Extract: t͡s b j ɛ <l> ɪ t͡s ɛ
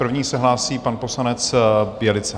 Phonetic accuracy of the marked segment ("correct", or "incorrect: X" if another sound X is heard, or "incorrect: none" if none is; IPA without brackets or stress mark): correct